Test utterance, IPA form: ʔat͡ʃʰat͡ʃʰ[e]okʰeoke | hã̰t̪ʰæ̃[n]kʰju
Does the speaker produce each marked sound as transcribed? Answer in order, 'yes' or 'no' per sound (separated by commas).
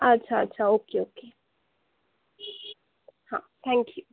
no, no